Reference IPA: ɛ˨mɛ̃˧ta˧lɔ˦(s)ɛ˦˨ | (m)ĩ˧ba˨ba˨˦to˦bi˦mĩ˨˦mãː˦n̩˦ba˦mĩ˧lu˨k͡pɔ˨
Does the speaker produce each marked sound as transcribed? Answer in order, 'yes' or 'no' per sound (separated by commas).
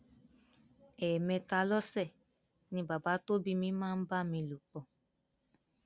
yes, no